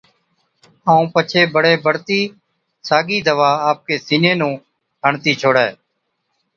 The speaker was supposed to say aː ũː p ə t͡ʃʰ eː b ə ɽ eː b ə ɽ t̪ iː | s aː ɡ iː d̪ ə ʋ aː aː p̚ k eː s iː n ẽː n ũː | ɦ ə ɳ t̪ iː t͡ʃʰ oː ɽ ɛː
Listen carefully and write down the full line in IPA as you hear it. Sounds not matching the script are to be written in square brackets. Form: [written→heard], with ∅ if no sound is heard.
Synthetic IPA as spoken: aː ũː p ə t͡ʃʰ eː b ə ɽ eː b ə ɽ t̪ iː | s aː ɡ iː d̪ ə ʋ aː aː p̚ k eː s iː n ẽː n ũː | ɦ ə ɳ t̪ iː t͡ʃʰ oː ɽ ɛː